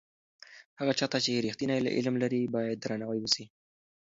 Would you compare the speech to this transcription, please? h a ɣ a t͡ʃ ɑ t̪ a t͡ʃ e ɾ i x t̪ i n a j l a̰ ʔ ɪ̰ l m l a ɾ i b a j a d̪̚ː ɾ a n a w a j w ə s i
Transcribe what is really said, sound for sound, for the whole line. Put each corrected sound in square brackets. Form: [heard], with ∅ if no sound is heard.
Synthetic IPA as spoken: h a ɣ a t͡ʃ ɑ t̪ a t͡ʃ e ɾ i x t̪ i n a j l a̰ ʔ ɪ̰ l m l a ɾ i b [ɑ] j a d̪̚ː ɾ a n a w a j w ə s i

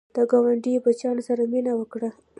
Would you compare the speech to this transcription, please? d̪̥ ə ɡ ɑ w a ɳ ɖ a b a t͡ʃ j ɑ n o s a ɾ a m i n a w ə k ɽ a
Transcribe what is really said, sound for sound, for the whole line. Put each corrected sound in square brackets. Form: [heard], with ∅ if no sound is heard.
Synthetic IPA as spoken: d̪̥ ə ɡ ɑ w a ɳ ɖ [i] b a t͡ʃ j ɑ n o s a ɾ a m i n a w ə k ɽ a

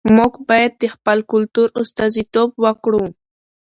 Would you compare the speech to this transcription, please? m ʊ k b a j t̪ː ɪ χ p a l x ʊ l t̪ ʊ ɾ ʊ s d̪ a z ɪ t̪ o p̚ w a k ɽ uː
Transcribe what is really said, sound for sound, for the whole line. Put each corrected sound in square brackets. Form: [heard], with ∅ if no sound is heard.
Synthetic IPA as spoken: m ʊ k b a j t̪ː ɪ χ p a l [k] ʊ l t̪ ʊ ɾ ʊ s [t̪] a z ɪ t̪ o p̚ w a k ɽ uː

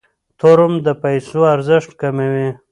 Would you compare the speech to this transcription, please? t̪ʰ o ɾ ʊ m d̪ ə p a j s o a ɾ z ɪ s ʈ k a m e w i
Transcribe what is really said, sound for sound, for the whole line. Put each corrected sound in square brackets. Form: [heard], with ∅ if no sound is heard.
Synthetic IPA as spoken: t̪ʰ o ɾ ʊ m d̪ ə p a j s o a ɾ z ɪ [ʂ] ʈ k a m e w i

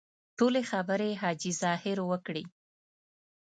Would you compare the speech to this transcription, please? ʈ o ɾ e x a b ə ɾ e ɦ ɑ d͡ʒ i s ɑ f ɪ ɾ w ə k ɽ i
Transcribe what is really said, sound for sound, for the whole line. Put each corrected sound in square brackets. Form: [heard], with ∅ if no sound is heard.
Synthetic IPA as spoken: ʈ o [l] e x a b ə ɾ e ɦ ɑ d͡ʒ i [z] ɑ [h] ɪ ɾ w ə k ɽ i

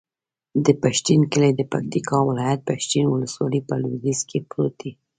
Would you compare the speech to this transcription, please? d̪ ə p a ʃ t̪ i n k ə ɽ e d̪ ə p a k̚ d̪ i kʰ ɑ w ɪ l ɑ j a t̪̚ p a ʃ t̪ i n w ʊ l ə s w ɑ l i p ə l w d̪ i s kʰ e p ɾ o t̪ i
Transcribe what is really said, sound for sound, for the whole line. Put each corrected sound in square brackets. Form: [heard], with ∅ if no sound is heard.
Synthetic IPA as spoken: d̪ ə p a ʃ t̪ i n k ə [l] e d̪ ə p a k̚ [t̪] i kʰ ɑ w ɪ l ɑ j a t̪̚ p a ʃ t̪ i n w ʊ l ə s w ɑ l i p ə l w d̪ i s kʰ e p ɾ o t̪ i

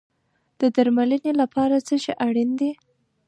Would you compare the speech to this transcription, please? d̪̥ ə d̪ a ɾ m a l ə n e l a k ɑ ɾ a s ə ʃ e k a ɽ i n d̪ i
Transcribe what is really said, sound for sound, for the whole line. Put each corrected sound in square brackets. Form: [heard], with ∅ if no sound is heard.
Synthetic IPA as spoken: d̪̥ ə d̪ a ɾ m a l ə n e l a [p] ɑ ɾ a [t͡s] ə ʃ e [ʔ] a ɽ i n d̪ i

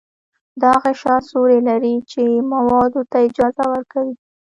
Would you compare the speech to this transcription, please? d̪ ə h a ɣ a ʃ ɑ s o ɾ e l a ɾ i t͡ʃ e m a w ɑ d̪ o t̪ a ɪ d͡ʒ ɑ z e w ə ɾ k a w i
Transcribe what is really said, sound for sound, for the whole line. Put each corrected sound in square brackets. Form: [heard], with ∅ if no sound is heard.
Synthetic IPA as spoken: d̪ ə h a ɣ a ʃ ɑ s o ɾ e l a ɾ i t͡ʃ e m a w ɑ d̪ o t̪ a ɪ d͡ʒ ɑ z [a] w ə ɾ k a w i

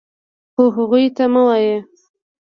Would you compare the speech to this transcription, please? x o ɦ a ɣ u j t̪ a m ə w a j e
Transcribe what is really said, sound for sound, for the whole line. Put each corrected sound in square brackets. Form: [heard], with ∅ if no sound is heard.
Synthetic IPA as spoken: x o ɦ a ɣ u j t̪ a m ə w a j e

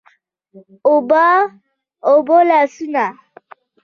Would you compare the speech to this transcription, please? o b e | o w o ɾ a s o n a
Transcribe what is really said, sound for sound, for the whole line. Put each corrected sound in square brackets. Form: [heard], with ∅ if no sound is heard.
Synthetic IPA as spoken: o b [a] | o [b] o [l] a s [u] n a

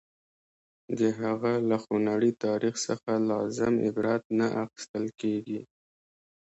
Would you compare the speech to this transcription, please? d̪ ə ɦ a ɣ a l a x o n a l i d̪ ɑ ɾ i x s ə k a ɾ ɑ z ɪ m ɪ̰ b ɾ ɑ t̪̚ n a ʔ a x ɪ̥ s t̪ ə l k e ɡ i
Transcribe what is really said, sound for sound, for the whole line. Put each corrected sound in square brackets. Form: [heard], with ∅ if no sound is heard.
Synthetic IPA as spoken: d̪ ə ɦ a ɣ a l a x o n a [ɽ] i [t̪] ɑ ɾ i x s ə [x] a [l] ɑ z ɪ m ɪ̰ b ɾ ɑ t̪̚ n a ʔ a x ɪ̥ s t̪ ə l k e ɡ i

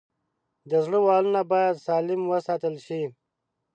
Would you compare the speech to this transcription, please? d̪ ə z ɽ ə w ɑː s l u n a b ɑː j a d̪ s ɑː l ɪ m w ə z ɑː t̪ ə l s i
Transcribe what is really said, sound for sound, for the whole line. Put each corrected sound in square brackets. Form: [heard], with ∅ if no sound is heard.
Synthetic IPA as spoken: d̪ ə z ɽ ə w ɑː [∅] l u n a b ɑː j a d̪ s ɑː l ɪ m w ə [s] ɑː t̪ ə l [ʃ] i

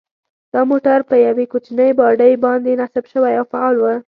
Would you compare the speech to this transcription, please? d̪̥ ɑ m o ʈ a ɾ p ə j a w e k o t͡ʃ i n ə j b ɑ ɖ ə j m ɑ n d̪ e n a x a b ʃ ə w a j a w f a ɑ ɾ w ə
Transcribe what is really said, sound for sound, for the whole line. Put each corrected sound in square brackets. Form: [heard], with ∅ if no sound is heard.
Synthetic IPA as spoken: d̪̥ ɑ m o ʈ a ɾ p ə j a w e k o t͡ʃ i n ə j b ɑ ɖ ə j [b] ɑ n d̪ e n a [s] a b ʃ ə w a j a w f a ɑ [l] w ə

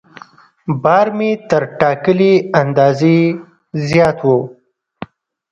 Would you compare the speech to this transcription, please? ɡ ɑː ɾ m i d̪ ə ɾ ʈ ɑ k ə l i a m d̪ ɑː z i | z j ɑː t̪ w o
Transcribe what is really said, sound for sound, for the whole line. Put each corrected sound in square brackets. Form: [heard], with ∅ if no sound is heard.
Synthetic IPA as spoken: [b] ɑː ɾ m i [t̪] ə ɾ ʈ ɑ k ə l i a [n] d̪ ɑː z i | z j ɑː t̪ w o

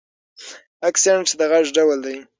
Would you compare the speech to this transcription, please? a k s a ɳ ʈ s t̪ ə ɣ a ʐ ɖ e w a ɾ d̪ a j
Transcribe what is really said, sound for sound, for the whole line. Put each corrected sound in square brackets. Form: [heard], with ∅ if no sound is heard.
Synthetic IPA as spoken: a k s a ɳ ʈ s [d̪] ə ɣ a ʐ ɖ [a] w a [l] d̪ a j

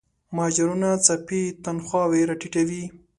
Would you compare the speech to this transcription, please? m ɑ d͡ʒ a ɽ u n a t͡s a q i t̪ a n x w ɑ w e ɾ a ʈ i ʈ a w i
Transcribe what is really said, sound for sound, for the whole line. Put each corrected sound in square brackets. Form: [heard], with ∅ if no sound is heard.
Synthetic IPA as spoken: m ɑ d͡ʒ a [ɾ] u n a t͡s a [p] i t̪ a n x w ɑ w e ɾ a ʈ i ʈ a w i

